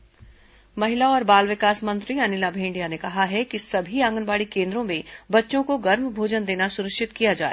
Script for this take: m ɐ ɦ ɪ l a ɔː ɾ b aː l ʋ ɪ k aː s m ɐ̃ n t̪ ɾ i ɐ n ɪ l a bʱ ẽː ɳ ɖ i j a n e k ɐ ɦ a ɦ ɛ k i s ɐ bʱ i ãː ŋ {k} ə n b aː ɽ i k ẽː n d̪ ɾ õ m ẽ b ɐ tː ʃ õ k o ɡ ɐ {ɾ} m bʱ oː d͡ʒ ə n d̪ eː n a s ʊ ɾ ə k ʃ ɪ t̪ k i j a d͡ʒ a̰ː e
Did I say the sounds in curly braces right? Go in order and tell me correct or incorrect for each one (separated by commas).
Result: incorrect, correct